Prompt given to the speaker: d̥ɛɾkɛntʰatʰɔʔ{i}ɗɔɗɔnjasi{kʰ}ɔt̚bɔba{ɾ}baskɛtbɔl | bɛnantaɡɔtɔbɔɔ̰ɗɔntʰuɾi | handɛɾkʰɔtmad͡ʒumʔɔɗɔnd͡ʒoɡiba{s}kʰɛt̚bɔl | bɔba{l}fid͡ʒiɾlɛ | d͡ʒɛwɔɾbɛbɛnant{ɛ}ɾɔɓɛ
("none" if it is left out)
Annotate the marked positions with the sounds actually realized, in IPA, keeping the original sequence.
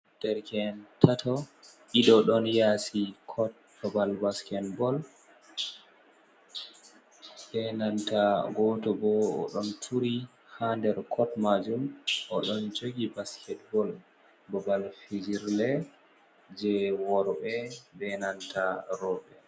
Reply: i, kʰ, l, s, l, a

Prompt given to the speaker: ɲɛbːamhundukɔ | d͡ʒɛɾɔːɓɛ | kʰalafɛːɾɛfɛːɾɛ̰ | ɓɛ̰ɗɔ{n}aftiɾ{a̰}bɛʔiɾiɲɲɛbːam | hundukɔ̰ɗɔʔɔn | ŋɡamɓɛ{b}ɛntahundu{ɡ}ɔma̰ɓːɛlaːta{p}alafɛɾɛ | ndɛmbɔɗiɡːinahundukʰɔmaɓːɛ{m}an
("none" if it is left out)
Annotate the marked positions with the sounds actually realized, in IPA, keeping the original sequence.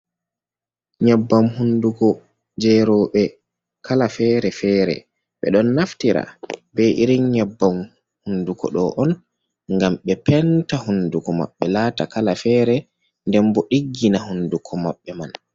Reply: nː, a̰, p, k, k, m

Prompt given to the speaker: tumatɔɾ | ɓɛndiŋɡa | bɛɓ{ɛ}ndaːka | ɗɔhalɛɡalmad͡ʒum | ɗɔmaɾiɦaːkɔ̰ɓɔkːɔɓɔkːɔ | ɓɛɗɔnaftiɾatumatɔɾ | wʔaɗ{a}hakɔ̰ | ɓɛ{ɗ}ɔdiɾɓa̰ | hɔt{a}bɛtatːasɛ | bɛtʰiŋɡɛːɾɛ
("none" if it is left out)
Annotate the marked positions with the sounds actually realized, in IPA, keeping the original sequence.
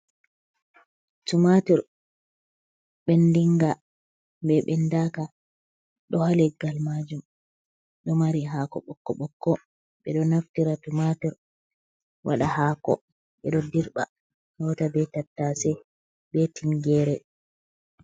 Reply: ɛ, a, ɗ, a

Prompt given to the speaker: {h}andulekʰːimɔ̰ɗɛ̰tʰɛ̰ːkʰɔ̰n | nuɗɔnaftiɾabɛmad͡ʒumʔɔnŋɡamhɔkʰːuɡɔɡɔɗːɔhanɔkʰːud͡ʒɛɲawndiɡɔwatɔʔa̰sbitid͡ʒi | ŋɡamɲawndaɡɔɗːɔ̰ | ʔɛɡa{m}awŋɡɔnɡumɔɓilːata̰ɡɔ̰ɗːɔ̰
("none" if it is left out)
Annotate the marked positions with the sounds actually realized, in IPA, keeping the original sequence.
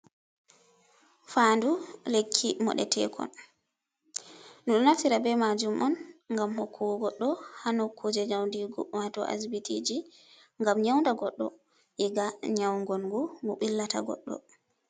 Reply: f, ɲ

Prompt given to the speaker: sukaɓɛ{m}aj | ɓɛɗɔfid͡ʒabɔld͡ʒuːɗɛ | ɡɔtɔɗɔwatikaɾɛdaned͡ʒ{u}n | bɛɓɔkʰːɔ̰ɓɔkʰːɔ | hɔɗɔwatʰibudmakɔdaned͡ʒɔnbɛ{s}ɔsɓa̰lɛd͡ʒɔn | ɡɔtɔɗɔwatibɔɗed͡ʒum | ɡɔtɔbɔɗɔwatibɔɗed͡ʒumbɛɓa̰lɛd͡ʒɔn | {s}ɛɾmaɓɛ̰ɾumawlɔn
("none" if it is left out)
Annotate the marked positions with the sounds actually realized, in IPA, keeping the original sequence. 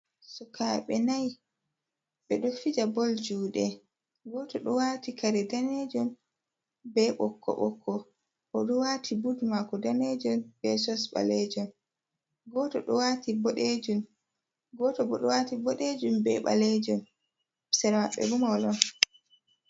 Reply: n, ɔ, s, s

